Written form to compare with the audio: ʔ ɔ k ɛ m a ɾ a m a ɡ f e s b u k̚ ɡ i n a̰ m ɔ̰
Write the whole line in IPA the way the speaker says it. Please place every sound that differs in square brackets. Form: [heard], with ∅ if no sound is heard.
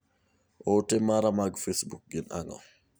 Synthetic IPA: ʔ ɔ [t] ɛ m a ɾ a m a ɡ f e s b u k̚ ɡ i n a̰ [ŋ] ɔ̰

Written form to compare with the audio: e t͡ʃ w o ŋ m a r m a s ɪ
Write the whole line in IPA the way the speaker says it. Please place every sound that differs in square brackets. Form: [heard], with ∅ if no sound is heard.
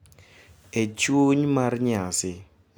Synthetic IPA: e t͡ʃ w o [ɲ] m a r [ɲ] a s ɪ

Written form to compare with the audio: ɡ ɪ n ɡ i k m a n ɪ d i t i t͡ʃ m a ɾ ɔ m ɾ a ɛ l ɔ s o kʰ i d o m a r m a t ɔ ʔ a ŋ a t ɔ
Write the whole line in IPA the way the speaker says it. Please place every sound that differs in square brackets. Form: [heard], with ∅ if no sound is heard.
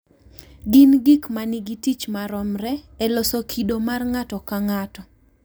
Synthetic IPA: ɡ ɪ n ɡ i k m a n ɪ [ɡ] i t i t͡ʃ m a ɾ ɔ m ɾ [ɛ] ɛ l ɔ s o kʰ i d o m a r [ŋ] a t ɔ [k] a ŋ a t ɔ

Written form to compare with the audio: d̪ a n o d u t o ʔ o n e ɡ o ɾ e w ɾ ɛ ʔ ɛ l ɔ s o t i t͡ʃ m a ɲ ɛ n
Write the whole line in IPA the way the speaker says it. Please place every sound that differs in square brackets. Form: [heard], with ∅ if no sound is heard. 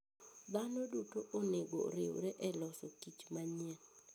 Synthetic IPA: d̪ a n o d u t o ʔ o n e ɡ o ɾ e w ɾ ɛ ʔ ɛ l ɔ s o [k] i t͡ʃ m a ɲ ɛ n

